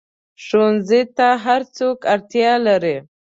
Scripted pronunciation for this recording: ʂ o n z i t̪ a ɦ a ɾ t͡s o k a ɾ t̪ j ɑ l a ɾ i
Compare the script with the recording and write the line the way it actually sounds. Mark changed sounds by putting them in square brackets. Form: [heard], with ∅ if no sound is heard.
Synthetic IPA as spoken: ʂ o n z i t̪ a ɦ a ɾ t͡s o k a ɾ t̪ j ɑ l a ɾ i